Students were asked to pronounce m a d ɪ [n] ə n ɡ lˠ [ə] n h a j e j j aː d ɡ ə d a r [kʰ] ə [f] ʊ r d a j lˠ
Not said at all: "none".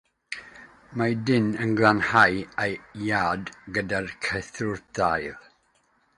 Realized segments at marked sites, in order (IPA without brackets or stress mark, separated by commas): n, a, kʰ, θ